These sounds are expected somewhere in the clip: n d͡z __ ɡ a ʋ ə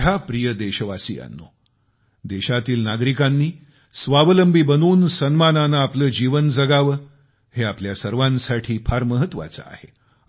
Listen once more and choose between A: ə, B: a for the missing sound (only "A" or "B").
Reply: A